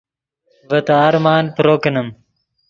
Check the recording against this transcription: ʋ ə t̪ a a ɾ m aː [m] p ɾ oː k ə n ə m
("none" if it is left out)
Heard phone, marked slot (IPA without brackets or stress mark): n